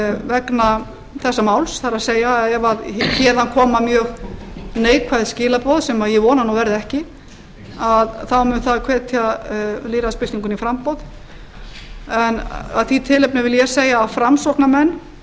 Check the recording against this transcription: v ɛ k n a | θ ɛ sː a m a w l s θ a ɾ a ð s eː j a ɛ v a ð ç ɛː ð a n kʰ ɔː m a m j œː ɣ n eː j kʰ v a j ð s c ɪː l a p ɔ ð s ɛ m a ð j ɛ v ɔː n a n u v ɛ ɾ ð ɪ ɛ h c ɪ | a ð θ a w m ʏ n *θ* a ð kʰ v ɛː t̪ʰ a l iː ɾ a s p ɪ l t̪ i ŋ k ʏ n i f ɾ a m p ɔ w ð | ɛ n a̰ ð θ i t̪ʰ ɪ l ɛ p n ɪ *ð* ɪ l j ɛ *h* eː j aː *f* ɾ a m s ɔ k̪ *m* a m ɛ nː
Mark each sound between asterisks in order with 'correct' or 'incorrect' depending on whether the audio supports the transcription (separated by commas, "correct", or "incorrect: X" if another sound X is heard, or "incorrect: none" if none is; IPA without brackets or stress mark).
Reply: correct, incorrect: v, incorrect: s, correct, incorrect: n